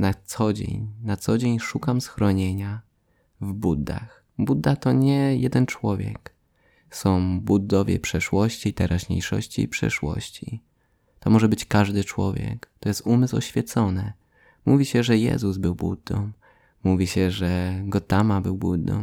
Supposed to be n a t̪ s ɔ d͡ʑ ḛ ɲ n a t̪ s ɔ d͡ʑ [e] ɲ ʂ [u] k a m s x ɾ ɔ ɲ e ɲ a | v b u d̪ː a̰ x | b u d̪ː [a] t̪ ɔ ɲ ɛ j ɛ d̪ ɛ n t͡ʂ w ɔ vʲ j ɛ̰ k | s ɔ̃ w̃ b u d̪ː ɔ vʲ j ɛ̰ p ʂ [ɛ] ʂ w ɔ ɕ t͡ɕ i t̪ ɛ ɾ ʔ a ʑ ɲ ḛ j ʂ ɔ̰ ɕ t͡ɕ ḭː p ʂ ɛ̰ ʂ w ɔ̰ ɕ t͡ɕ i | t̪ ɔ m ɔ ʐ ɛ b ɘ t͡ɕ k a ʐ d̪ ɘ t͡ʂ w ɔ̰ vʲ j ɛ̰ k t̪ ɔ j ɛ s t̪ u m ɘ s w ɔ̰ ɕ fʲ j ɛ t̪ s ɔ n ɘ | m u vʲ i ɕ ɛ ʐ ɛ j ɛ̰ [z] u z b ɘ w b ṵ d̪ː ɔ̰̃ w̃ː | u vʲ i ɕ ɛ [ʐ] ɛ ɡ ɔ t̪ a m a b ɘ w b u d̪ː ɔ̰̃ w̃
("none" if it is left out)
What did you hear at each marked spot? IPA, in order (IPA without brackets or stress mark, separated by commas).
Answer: e, u, a, ɛ, z, ʐ